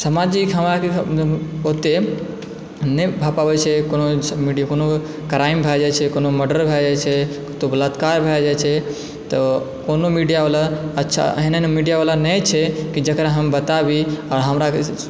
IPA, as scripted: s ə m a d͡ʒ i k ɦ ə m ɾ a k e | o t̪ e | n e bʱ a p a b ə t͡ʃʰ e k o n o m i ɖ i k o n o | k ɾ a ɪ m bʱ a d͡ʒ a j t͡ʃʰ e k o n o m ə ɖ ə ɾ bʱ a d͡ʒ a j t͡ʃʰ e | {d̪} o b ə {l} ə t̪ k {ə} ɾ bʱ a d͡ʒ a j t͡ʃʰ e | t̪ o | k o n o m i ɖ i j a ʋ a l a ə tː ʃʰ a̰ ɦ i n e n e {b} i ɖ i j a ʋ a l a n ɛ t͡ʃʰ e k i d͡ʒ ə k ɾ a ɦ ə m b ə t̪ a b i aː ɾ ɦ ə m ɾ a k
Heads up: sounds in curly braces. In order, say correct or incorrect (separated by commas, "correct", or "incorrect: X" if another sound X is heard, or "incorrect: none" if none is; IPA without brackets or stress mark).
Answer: incorrect: t̪, correct, incorrect: a, incorrect: m